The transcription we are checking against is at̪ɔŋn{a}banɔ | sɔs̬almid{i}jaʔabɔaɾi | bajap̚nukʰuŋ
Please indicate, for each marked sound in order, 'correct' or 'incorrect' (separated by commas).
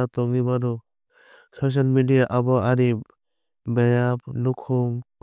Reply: incorrect, correct